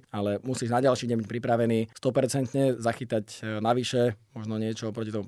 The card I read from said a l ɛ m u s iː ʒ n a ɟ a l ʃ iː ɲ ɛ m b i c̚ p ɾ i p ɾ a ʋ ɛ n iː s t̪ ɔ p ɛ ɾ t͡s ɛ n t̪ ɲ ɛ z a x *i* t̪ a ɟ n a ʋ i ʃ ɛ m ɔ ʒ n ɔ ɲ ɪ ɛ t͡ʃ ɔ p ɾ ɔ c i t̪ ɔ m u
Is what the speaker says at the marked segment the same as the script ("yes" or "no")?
yes